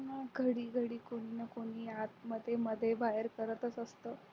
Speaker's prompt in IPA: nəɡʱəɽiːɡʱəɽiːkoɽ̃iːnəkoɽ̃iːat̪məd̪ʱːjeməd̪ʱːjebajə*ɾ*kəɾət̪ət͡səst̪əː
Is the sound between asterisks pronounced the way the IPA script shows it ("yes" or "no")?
yes